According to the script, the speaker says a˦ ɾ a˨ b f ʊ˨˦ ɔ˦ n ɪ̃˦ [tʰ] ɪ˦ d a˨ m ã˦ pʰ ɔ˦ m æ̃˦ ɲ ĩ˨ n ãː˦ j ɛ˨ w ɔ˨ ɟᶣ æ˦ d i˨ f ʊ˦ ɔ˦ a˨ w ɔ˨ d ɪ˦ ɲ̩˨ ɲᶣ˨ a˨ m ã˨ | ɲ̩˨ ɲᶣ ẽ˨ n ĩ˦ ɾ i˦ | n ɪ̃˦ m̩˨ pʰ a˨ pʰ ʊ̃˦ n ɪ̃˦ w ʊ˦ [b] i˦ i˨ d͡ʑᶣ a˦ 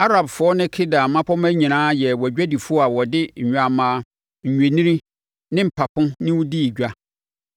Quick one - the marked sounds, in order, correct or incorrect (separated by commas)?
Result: incorrect, incorrect